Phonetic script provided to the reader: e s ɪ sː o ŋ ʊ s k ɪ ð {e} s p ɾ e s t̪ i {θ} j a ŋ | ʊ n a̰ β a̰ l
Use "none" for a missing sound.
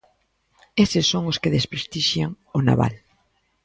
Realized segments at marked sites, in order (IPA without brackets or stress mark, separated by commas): e, ʃ